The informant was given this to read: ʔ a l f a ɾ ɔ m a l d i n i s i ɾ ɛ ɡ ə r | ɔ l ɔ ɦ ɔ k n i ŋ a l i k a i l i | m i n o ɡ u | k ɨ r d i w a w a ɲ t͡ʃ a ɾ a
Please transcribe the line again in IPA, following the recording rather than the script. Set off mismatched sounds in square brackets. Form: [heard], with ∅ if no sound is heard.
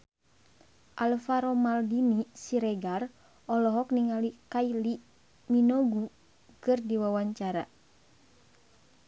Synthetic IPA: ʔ a l f a ɾ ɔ m a l d i n i s i ɾ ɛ ɡ [a] r | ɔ l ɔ ɦ ɔ k n i ŋ a l i k a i l i | m i n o ɡ u | k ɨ r d i w a w a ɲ t͡ʃ a ɾ a